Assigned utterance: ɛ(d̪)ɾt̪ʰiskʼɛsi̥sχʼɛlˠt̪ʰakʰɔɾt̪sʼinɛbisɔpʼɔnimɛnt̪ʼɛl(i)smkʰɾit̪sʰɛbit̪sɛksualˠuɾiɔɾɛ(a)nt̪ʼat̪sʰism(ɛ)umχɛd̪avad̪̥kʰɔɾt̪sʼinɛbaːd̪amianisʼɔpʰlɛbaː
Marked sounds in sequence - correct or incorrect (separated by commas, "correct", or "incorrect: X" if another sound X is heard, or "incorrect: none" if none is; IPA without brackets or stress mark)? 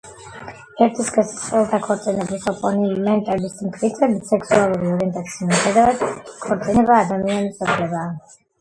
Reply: incorrect: none, correct, incorrect: ɛ, incorrect: i